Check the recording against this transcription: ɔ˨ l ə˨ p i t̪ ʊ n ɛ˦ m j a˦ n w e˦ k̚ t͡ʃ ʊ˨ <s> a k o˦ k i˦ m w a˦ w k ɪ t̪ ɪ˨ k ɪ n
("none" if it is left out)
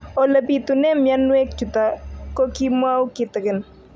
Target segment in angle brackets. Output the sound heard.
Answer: t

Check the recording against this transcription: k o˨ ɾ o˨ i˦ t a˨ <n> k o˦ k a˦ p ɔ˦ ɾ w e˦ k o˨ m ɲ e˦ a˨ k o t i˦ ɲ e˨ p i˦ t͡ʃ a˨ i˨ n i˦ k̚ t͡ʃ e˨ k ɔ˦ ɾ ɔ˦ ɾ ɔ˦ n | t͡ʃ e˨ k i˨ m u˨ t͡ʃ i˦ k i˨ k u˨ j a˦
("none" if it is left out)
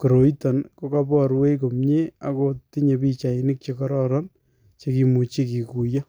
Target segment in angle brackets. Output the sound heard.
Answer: n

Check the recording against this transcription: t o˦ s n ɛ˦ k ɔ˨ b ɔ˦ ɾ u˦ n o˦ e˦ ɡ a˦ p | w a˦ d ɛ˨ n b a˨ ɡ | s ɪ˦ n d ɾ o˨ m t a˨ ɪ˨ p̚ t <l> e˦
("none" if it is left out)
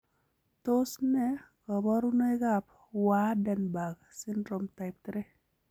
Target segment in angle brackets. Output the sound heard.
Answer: ɾ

